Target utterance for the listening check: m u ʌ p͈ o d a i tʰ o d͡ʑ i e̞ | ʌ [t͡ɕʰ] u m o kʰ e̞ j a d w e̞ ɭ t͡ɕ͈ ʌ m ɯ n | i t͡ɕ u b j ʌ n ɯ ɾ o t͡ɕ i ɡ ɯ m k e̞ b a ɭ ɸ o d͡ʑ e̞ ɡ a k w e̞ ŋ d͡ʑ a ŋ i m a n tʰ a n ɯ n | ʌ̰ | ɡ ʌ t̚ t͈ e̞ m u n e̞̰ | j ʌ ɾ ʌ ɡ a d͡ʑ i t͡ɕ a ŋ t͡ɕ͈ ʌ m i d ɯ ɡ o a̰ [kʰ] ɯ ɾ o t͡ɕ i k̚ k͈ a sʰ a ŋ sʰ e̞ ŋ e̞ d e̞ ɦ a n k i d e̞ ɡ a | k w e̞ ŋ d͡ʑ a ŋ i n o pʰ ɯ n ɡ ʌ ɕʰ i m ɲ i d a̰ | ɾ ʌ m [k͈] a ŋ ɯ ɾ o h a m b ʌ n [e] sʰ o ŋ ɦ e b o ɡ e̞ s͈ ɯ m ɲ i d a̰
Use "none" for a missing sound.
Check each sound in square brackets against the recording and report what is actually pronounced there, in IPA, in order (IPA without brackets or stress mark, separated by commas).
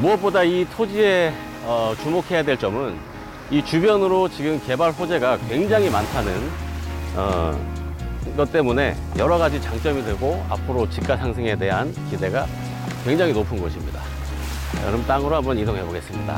t͡ɕ, pʰ, t͈, i